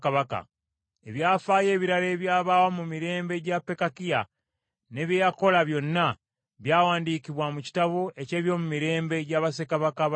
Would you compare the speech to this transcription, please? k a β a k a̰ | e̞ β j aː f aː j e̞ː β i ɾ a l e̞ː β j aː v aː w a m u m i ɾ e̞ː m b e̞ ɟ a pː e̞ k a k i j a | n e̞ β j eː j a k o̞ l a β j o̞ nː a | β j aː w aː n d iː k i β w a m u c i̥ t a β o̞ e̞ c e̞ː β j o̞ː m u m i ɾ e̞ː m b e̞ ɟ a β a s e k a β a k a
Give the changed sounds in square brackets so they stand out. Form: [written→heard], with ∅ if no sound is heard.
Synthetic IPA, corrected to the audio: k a β a k a̰ | e̞ β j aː f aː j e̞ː β i ɾ a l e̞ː β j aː [v→β] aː w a m u m i ɾ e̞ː m b e̞ ɟ a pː e̞ k a k i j a | n e̞ β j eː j a k o̞ l a β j o̞ nː a | β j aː w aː n d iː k i β w a m u c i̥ t a β o̞ e̞ c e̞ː β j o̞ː m u m i ɾ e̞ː m b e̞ ɟ a β a s e k a β a k a

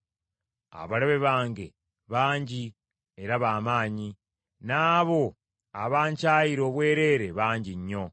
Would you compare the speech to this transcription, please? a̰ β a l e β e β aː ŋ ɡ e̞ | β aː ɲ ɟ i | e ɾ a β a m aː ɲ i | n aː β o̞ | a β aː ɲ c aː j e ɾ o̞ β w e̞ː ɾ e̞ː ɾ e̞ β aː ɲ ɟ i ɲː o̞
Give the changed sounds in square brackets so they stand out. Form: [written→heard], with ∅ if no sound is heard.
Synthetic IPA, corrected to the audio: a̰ β a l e β e β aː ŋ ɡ e̞ | β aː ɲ ɟ i | e ɾ a β a m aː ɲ i | n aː β o̞ | a β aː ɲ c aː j [e→i] ɾ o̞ β w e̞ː ɾ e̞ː ɾ e̞ β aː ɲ ɟ i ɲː o̞

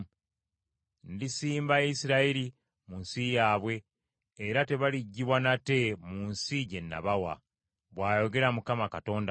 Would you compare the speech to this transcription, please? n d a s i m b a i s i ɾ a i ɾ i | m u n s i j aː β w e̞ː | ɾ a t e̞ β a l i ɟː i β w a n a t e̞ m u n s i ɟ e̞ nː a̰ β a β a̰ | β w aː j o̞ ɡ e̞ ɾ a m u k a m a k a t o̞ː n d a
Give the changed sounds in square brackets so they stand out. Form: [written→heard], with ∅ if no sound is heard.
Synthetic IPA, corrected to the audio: n d [a→i] s [i→iː] m b a i s i ɾ a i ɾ i | m u n s i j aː β w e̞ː | ɾ a t e̞ β a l i ɟː i β w a n a t e̞ m u n s i ɟ e̞ nː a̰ β a [β→w] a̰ | β w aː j o̞ ɡ e̞ ɾ a m u k a m a k a t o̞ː n d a

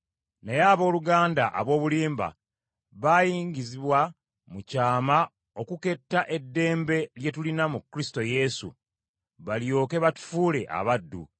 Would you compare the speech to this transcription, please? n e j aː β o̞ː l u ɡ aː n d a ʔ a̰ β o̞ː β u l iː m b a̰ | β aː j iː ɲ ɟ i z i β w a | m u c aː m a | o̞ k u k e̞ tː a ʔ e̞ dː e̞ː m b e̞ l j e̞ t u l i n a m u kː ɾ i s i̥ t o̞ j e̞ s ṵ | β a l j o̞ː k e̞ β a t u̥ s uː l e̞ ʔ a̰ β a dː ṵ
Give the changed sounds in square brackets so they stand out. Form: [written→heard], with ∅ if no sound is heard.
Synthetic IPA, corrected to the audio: n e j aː β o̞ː l u ɡ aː n d a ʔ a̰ β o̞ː β u l iː m b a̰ | β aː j iː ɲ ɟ i z i β w a | m u c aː m a | o̞ k u k e̞ tː a ʔ e̞ dː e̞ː m b e̞ l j e̞ t u l i n a m u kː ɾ i s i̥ t o̞ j e̞ s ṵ | β a l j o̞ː k e̞ β a t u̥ [s→f] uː l e̞ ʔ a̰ β a dː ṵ

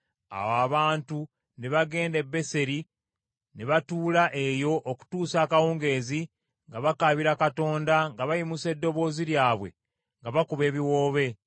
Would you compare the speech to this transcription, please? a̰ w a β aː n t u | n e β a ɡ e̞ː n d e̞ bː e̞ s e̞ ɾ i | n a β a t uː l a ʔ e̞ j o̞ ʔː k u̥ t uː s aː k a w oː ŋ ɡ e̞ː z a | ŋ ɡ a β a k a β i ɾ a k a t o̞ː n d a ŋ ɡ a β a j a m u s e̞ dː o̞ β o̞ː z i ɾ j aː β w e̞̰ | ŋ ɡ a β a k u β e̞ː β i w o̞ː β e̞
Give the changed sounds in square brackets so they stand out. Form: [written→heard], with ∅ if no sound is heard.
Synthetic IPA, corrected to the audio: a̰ w a β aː n t u | n e β a ɡ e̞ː n d e̞ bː e̞ s e̞ ɾ i | n [a→e] β a t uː l a ʔ e̞ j o̞ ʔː k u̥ t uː s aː k a w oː ŋ ɡ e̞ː z [a→i] | ŋ ɡ a β a k a β i ɾ a k a t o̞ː n d a ŋ ɡ a β a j [a→i] m u s e̞ dː o̞ β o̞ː z i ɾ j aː β w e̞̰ | ŋ ɡ a β a k u β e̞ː β i w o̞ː β e̞

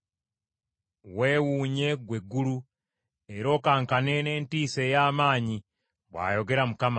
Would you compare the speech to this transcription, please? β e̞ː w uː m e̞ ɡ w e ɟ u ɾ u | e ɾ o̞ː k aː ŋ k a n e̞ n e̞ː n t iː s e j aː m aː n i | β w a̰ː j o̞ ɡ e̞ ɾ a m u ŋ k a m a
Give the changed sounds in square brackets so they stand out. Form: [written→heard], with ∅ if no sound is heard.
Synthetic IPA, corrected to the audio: [β→w] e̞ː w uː [m→ɲ] e̞ ɡ w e [ɟ→ɡ] u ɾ u | e ɾ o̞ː k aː ŋ k a n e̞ n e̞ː n t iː s e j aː m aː [n→ɲ] i | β w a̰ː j o̞ ɡ e̞ ɾ a m u [ŋ→∅] k a m a

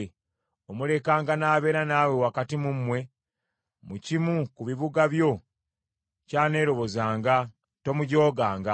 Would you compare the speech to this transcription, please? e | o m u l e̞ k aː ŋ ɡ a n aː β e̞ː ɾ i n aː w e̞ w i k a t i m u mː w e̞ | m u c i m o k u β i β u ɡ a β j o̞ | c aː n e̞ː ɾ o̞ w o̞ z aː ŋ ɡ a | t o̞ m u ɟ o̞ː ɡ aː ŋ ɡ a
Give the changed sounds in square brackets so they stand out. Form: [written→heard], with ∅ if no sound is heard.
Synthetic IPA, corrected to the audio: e | o m u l e̞ k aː ŋ ɡ a n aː β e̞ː ɾ [i→a] n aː w e̞ w [i→a] k a t i m u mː w e̞ | m u c i m [o→u] k u β i β u ɡ a β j o̞ | c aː n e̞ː ɾ o̞ [w→β] o̞ z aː ŋ ɡ a | t o̞ m u ɟ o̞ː ɡ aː ŋ ɡ a

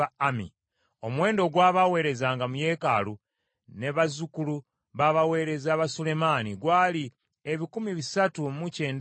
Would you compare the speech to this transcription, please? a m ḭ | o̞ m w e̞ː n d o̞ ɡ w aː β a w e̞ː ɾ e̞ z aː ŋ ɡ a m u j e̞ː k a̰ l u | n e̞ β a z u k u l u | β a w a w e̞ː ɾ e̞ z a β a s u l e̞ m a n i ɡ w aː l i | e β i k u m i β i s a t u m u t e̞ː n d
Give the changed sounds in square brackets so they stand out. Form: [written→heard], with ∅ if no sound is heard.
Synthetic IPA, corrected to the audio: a m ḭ | o̞ m w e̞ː n d o̞ ɡ w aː β a w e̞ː ɾ e̞ z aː ŋ ɡ a m u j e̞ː k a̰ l u | n e̞ β a z u k u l u | β a [w→β] a w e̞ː ɾ e̞ z a β a s u l e̞ m a n i ɡ w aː l i | e β i k u m i β i s a t u m u [t→c] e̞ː n d

